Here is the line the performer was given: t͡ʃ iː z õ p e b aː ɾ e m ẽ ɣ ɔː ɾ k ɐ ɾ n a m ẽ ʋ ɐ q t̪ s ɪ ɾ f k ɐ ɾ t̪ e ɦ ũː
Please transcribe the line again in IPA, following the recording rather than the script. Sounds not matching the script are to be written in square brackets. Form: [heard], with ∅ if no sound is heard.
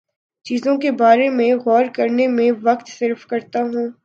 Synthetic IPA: t͡ʃ iː z õ [k] e b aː ɾ e m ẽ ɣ ɔː ɾ k ɐ ɾ n [e] m ẽ ʋ ɐ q t̪ s ɪ ɾ f k ɐ ɾ t̪ [a] ɦ ũː